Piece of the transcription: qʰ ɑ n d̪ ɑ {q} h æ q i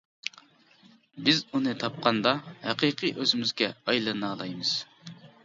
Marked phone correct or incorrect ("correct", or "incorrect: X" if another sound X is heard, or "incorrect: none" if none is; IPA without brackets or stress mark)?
incorrect: none